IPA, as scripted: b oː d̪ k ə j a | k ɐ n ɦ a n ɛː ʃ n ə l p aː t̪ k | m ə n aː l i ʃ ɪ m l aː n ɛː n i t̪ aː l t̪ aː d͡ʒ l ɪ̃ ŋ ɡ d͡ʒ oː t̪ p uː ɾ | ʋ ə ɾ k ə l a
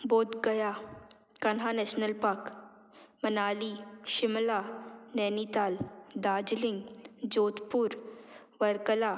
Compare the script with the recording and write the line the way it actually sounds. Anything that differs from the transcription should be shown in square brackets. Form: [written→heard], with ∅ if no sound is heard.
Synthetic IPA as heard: b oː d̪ [k→ɡ] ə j a | k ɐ n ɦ a n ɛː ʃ n ə l p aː [t̪→∅] k | m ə n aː l i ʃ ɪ m l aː n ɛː n i t̪ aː l [t̪→d̪] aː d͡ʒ l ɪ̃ ŋ ɡ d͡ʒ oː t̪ p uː ɾ | ʋ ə ɾ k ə l a